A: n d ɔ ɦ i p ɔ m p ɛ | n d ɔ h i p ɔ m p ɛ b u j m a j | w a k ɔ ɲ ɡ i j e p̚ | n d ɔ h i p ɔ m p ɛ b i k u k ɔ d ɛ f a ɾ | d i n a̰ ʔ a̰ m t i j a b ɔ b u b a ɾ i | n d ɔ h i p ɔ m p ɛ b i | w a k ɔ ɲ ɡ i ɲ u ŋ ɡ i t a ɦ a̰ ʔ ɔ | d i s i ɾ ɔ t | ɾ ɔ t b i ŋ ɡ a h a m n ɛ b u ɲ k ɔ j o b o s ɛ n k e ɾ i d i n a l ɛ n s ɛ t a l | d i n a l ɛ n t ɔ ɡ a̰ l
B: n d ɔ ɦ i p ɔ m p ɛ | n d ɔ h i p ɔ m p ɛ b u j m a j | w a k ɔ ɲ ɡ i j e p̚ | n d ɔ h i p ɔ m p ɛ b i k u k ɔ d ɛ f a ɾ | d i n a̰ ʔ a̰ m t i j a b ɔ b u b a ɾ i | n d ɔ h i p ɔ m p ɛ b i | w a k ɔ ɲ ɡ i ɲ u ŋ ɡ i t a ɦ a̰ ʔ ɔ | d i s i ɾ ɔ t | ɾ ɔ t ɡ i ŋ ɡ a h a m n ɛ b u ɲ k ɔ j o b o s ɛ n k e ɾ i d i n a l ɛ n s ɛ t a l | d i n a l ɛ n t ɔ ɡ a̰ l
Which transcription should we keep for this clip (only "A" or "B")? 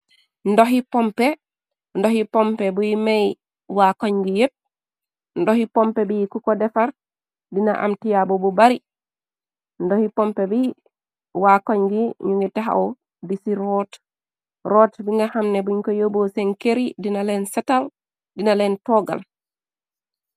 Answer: A